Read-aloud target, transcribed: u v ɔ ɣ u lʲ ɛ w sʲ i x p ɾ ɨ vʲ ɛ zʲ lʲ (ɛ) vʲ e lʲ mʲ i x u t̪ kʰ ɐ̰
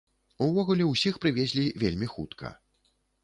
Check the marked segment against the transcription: incorrect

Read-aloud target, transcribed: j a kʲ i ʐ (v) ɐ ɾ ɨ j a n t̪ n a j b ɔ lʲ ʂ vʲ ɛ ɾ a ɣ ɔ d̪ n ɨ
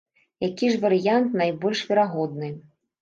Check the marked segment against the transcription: correct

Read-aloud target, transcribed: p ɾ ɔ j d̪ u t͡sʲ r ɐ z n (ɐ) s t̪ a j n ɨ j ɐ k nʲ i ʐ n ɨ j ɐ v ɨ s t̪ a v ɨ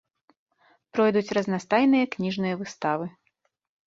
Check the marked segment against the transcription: incorrect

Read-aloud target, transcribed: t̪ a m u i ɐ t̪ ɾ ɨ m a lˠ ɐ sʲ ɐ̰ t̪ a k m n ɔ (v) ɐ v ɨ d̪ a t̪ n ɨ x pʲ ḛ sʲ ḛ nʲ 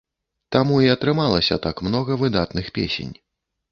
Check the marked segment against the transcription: incorrect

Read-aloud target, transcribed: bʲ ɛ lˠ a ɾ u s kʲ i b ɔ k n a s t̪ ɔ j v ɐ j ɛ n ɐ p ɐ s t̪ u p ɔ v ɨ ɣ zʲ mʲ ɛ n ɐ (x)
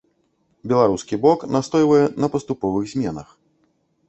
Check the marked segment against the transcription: correct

